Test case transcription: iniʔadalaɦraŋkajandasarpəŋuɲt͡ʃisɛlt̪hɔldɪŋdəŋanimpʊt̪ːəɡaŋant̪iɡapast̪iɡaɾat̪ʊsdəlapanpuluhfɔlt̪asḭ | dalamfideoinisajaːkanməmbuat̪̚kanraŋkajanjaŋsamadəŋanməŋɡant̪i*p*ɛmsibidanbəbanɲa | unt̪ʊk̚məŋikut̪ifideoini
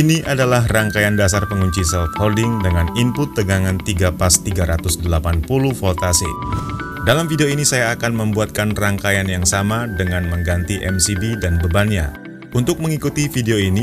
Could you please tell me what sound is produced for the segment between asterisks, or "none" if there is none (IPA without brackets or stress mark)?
ʔ